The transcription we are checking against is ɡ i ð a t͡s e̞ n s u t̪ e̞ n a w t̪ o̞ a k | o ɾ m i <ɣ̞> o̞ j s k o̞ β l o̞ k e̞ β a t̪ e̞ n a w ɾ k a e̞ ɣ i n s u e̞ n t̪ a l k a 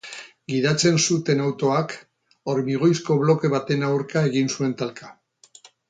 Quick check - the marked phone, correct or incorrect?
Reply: correct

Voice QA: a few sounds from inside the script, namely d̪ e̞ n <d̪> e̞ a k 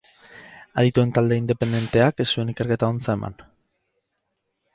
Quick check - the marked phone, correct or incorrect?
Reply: incorrect: t̪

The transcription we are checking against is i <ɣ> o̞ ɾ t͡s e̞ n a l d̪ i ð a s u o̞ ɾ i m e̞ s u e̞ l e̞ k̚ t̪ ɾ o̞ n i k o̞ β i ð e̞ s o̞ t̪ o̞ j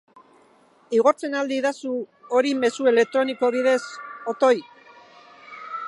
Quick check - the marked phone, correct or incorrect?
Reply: correct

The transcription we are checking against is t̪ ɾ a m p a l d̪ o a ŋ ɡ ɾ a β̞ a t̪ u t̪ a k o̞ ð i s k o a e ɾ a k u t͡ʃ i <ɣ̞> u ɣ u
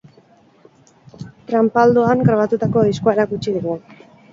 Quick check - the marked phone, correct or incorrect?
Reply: incorrect: ð̞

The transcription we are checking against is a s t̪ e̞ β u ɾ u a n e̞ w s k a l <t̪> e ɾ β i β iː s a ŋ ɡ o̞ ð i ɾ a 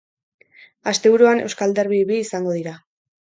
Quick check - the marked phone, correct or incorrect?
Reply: incorrect: d̪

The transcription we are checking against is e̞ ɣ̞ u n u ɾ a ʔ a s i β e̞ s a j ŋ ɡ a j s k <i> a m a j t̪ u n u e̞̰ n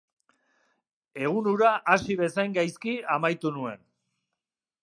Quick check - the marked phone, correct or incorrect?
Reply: correct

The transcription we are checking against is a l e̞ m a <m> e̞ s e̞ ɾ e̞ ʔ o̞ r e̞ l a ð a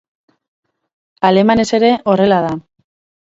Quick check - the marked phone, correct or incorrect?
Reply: incorrect: n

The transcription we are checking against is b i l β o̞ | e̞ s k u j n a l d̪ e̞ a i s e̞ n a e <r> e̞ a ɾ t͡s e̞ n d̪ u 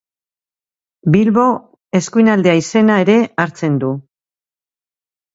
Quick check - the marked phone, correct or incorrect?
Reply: incorrect: ɾ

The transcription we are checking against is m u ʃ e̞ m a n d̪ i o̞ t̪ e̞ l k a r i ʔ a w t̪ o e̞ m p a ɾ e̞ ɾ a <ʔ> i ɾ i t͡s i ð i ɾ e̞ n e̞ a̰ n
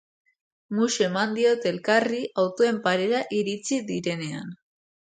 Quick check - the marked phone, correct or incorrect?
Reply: correct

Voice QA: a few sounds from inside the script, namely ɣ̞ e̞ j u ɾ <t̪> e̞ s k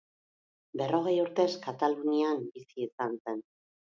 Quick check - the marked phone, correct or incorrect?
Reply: correct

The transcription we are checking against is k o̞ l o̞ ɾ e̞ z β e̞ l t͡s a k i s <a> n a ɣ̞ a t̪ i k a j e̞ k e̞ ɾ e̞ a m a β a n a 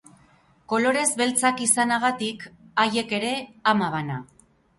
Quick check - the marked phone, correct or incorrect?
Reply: correct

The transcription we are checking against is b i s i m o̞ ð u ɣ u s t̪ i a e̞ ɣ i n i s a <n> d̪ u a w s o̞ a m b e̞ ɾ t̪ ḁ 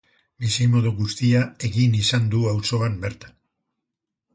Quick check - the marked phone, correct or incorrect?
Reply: correct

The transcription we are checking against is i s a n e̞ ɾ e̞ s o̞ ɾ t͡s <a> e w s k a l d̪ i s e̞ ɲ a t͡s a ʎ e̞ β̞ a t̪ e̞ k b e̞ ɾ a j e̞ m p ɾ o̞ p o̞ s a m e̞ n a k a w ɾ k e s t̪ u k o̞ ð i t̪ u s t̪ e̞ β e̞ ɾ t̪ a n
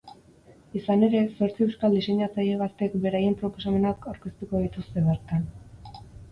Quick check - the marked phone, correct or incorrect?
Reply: incorrect: i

